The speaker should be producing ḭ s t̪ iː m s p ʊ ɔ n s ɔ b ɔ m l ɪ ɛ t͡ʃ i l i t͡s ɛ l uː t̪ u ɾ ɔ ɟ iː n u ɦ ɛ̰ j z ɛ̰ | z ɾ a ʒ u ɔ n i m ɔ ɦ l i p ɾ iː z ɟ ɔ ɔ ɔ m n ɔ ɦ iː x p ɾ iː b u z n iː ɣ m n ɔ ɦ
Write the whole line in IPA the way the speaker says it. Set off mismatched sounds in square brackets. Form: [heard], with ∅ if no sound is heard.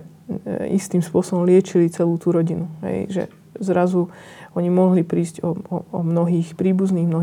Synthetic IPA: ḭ s t̪ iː m s p ʊ ɔ [∅] s ɔ b ɔ m l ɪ ɛ t͡ʃ i l i t͡s ɛ l uː t̪ u ɾ ɔ ɟ [i] n u ɦ ɛ̰ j [ʒ] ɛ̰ | z ɾ a [z] u ɔ [ɲ] i m ɔ ɦ l i p ɾ iː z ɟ ɔ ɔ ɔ m n ɔ ɦ iː x p ɾ iː b u z n iː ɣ m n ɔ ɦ